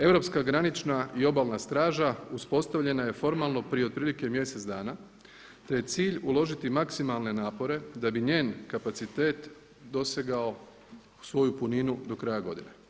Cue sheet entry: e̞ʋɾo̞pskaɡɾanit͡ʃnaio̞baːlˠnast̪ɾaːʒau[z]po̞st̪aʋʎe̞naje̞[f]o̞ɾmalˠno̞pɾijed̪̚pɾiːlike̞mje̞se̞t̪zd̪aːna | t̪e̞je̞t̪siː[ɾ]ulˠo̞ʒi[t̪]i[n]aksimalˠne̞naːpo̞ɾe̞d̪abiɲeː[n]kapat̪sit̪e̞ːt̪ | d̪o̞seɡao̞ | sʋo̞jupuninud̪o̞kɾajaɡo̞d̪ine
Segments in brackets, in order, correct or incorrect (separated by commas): incorrect, correct, incorrect, correct, incorrect, correct